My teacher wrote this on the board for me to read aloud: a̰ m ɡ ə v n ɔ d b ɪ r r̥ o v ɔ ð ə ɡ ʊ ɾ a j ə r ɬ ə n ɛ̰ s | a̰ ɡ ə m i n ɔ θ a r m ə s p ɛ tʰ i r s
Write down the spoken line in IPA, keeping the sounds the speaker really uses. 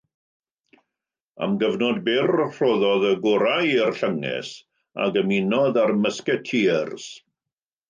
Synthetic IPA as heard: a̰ m ɡ ə v n ɔ d b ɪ r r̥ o ð ɔ ð ə ɡ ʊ ɾ a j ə r ɬ ə ŋ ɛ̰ s | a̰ ɡ ə m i n ɔ ð a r m ə s k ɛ tʰ i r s